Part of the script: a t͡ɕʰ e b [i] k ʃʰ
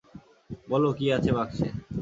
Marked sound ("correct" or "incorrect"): incorrect